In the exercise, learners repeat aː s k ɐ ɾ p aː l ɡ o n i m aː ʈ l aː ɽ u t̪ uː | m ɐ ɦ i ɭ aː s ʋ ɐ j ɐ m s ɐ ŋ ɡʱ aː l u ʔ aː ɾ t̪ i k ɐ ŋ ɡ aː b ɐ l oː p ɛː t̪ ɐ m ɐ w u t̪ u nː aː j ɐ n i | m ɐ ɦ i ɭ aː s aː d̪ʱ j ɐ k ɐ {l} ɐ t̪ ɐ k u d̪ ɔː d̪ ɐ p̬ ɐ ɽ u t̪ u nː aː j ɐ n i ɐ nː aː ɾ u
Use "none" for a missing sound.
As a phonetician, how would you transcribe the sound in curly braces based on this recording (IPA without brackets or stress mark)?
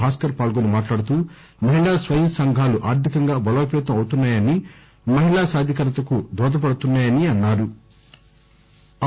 ɾ